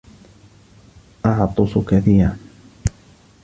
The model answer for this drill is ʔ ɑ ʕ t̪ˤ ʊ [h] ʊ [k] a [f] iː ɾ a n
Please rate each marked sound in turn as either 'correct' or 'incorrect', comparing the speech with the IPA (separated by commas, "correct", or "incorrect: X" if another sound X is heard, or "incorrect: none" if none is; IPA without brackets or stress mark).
incorrect: s, correct, incorrect: θ